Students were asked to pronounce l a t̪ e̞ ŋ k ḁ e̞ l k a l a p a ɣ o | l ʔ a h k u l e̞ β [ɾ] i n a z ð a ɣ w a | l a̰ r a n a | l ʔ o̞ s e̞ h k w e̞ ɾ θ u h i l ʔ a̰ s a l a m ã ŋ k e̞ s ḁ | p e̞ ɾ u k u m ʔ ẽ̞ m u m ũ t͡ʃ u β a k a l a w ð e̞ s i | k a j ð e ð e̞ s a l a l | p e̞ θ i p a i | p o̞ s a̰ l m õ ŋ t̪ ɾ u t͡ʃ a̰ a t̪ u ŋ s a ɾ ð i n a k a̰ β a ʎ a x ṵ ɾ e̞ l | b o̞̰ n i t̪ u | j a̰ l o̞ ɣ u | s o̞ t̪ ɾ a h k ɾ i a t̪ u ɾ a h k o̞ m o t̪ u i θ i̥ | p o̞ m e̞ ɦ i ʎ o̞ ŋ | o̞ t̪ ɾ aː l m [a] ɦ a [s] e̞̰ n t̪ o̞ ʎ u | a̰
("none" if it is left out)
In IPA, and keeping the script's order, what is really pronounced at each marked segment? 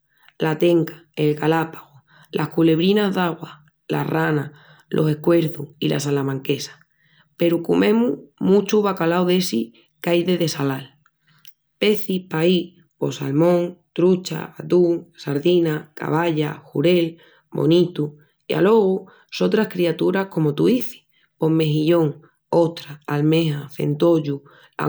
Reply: ɾ, e, θ

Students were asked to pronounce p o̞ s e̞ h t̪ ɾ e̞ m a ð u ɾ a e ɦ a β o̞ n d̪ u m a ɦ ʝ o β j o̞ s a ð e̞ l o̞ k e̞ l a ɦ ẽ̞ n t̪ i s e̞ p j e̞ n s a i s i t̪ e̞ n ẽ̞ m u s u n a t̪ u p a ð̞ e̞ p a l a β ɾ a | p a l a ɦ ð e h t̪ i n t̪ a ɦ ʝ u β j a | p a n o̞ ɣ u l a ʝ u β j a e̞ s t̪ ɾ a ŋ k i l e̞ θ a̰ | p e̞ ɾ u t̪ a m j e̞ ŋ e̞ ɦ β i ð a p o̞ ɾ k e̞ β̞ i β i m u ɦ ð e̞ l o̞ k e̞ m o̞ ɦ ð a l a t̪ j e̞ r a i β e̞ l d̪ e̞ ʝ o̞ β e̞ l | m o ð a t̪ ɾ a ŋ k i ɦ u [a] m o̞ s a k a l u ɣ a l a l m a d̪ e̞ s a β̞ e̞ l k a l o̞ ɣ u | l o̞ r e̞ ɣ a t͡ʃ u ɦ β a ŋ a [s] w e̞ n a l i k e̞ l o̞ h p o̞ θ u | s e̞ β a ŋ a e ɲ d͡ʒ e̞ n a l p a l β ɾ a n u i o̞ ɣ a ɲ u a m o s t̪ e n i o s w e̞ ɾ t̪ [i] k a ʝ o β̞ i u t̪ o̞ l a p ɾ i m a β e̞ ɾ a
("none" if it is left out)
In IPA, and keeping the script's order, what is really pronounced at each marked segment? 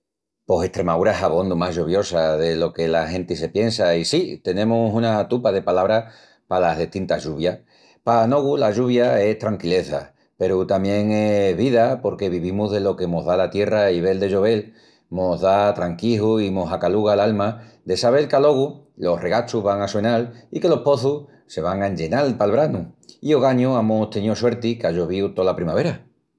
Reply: i, s, i

